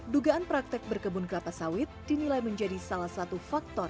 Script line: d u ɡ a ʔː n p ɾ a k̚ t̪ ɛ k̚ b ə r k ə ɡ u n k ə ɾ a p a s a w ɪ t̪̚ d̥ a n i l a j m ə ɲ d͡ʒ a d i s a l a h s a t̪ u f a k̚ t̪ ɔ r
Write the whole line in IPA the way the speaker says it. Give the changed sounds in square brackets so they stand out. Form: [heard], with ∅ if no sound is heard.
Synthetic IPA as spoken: d u ɡ a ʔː n p ɾ a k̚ t̪ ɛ k̚ b ə r k ə [b] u n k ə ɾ a p a s a w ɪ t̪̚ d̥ [i] n i l a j m ə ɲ d͡ʒ a d i s a l a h s a t̪ u f a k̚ t̪ ɔ r